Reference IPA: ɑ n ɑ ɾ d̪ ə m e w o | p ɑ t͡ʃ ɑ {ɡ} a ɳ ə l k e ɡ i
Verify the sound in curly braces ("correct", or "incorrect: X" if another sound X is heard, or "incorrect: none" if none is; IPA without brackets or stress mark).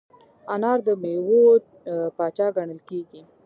correct